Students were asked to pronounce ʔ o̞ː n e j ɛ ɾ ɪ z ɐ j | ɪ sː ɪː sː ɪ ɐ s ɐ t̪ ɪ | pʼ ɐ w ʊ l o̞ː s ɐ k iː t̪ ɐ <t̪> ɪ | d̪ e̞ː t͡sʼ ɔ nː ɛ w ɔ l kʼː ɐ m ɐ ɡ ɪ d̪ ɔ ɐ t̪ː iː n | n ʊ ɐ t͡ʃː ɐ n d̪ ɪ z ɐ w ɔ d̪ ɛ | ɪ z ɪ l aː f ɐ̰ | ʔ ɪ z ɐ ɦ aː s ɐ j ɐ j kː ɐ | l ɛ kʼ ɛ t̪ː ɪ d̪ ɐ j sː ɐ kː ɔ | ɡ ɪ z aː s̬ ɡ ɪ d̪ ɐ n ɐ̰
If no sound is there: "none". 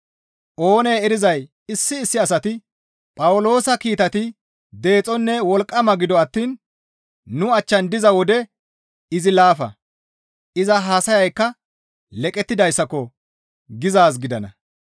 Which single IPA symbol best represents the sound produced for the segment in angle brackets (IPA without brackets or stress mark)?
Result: t̪